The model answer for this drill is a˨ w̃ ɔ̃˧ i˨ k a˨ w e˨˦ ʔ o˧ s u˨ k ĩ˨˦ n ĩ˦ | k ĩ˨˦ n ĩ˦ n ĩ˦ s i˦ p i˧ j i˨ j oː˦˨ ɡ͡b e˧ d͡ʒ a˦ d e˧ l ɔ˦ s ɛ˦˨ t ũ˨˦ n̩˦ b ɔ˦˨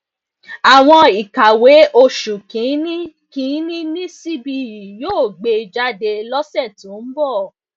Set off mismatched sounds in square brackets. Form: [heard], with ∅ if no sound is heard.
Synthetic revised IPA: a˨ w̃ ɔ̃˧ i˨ k a˨ w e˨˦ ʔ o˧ [ʃ] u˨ k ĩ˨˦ n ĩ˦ | k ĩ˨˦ n ĩ˦ n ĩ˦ s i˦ [b] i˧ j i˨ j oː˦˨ ɡ͡b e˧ d͡ʒ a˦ d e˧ l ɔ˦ s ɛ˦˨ t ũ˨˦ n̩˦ b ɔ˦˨